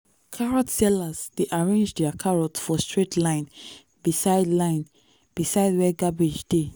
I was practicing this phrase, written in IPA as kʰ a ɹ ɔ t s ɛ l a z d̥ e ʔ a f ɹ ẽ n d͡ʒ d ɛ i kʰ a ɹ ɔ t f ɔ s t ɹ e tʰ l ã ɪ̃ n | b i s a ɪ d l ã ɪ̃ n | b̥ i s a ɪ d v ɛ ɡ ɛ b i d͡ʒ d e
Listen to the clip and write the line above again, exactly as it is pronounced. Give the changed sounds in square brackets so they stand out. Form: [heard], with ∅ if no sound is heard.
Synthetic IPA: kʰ a ɹ ɔ t s ɛ l a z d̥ e ʔ a [∅] ɹ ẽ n d͡ʒ d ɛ [a] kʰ a ɹ ɔ t f ɔ s t ɹ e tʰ l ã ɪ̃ n | b i s a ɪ d l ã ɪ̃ n | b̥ i s a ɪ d [w] ɛ ɡ [a] b i d͡ʒ d e